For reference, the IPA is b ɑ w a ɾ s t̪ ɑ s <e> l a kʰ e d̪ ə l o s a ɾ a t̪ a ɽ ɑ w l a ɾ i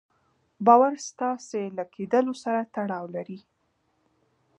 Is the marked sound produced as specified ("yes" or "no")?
yes